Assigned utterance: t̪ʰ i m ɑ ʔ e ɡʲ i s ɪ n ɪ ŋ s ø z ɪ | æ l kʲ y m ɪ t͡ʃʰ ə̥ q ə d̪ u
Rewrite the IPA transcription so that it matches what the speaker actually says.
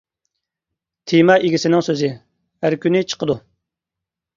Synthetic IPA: t̪ʰ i m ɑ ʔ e ɡʲ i s ɪ n ɪ ŋ s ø z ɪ | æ ɾ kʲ y n ɪ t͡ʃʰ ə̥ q ə d̪ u